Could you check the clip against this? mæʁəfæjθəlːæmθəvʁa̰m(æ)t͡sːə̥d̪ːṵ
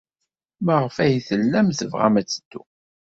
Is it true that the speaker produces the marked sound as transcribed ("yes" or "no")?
yes